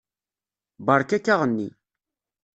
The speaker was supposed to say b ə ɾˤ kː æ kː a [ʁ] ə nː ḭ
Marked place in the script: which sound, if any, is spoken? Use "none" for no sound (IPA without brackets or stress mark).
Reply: ʁ